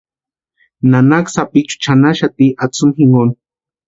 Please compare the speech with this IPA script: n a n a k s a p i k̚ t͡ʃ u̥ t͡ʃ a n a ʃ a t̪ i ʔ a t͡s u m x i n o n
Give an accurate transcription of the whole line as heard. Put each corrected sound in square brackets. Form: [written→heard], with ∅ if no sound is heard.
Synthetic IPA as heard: n a n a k s a p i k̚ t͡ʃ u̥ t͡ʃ a n a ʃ a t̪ i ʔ a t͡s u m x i [n→ŋ] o n